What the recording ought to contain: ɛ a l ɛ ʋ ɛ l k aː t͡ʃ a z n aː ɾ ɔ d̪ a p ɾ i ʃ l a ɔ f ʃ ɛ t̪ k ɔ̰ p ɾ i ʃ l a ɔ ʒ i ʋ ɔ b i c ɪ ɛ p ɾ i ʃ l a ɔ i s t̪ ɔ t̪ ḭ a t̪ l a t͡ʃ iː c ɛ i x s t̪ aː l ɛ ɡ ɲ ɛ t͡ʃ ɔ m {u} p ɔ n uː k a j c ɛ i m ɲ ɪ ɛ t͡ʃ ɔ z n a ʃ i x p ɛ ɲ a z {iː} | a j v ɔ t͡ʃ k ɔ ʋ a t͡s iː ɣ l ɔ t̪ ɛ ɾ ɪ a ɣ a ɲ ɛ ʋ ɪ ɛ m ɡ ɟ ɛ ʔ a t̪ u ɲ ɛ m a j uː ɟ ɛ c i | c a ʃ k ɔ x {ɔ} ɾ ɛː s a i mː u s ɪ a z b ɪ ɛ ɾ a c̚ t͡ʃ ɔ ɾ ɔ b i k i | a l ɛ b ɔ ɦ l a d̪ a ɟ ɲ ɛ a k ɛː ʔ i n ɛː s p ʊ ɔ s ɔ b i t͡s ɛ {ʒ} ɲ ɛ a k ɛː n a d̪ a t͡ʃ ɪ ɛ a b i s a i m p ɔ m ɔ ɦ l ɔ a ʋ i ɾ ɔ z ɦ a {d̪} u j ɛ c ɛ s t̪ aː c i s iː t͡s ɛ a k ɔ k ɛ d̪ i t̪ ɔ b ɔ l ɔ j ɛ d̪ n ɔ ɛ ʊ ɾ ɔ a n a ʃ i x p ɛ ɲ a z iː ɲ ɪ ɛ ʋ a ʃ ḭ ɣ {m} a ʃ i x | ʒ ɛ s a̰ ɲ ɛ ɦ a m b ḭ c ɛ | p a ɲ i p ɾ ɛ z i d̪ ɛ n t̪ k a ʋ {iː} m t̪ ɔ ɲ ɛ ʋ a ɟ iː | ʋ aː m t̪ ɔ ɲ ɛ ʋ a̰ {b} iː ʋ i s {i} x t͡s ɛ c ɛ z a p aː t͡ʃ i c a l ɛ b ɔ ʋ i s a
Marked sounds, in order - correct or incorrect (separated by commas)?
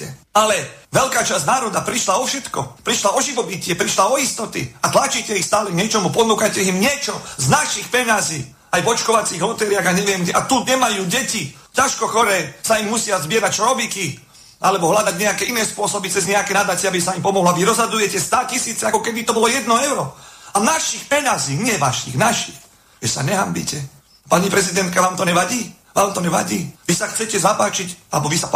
correct, correct, correct, incorrect, correct, incorrect, incorrect, incorrect, incorrect